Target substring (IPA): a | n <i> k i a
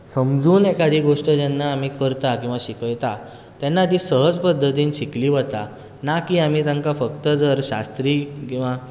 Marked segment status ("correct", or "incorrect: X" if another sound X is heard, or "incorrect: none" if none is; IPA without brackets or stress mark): incorrect: a